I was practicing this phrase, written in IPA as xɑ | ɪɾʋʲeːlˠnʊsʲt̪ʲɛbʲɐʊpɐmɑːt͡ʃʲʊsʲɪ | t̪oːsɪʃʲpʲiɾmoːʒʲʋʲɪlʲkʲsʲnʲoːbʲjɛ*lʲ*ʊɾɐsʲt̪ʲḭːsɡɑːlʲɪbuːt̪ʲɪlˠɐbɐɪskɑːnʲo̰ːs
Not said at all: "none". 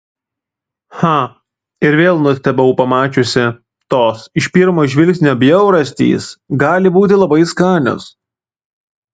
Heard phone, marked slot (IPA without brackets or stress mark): none